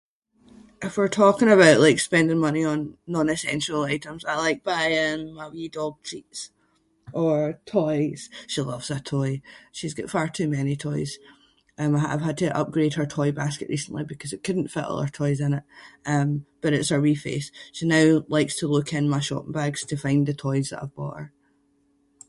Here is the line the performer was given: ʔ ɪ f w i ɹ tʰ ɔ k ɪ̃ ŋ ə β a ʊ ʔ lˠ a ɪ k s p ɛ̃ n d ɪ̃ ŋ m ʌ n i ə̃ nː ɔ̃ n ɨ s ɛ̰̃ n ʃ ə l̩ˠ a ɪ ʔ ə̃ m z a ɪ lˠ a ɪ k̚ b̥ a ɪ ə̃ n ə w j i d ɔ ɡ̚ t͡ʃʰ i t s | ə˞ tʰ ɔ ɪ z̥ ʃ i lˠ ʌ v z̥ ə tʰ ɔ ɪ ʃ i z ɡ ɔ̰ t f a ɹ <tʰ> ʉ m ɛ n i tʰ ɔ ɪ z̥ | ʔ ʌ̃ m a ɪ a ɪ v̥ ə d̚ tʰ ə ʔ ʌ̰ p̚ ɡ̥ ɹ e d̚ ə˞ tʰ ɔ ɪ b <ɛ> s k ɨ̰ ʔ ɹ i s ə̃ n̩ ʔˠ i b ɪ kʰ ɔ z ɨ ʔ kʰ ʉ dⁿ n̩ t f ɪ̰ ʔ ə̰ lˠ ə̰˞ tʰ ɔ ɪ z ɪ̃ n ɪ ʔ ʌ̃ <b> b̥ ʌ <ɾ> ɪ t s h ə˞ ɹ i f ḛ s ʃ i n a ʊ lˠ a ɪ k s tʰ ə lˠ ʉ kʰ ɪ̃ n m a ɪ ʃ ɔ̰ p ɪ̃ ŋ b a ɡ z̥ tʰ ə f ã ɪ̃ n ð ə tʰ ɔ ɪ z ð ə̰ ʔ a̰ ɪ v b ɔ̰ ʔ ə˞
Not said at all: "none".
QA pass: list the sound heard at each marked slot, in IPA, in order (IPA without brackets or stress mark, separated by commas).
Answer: tʰ, a, m, ɾ